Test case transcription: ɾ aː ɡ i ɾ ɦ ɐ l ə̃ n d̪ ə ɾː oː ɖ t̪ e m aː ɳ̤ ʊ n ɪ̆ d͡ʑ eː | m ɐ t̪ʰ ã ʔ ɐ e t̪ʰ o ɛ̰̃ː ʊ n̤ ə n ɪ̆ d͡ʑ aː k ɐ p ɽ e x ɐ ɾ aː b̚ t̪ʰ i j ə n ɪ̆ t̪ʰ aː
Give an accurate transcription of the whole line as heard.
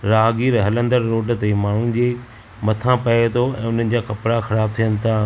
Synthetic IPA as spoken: ɾ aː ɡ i ɾ ɦ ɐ l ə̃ n d̪ ə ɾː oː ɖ t̪ e m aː ɳ̤ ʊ n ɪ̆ d͡ʑ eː | m ɐ t̪ʰ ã p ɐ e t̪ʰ o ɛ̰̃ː ʊ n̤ ə n ɪ̆ d͡ʑ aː k ɐ p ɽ a x ɐ ɾ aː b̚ t̪ʰ i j ə n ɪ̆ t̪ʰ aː